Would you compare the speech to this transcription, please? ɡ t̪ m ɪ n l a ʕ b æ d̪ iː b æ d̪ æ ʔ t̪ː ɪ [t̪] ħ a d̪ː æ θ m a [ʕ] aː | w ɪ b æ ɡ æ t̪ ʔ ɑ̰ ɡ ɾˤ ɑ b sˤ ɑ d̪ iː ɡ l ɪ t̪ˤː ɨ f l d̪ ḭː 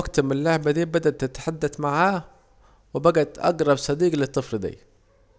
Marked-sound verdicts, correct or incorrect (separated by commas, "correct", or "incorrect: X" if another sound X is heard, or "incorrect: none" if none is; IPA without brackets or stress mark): correct, correct